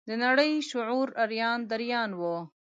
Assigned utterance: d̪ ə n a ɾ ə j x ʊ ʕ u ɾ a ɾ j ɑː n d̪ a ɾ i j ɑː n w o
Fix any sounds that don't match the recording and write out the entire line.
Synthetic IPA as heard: d̪ ə n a ɽ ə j ʃ ʊ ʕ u ɾ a ɾ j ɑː n d̪ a ɾ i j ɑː n w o